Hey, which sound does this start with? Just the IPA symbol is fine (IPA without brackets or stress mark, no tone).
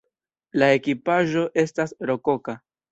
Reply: l